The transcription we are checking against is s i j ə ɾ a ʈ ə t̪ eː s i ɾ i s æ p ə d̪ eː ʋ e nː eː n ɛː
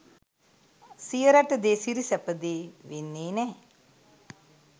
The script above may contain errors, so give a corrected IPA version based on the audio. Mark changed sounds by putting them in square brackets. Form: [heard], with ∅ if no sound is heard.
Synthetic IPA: s i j ə ɾ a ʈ ə [d̪] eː s i ɾ i s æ p ə d̪ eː ʋ e nː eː n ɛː

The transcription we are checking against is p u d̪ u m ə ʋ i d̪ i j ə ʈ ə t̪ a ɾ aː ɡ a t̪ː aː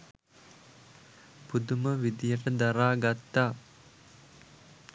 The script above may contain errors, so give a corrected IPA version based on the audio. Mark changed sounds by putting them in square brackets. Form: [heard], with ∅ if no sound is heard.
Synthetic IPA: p u d̪ u m ə ʋ i d̪ i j ə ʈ ə [d̪] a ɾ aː ɡ a t̪ː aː

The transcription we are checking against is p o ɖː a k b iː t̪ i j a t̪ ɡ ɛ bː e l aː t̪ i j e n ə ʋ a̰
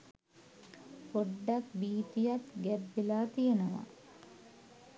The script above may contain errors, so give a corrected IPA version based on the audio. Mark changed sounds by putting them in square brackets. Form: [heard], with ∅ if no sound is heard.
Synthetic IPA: p o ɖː a k b iː t̪ i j a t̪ ɡ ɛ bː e l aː t̪ i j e n ə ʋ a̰

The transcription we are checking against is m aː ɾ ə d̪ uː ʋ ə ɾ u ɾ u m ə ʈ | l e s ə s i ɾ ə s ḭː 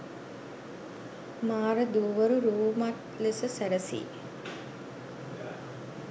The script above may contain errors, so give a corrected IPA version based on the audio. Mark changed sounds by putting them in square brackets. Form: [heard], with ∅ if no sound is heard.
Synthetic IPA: m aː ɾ ə d̪ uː ʋ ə ɾ u ɾ [uː] m [a] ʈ | l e s ə s [æ] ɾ ə s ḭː

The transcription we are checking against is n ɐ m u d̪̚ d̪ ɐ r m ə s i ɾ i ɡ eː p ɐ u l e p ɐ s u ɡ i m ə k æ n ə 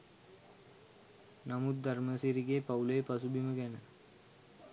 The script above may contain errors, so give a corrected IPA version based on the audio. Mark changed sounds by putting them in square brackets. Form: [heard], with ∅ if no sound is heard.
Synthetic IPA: n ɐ m u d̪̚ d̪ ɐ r m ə s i ɾ i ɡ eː p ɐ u l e p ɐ s u [b] i m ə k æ n ə

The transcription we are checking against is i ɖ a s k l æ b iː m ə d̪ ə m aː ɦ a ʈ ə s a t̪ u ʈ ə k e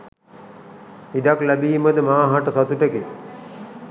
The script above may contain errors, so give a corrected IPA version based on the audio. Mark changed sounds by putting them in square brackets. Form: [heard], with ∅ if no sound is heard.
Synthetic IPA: i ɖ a [∅] k l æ b iː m ə d̪ ə m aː ɦ a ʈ ə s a t̪ u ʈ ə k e

